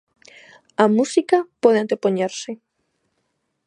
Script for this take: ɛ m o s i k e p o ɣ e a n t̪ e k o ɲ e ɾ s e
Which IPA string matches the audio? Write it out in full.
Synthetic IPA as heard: a m u s i k a p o ð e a n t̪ e p o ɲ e ɾ s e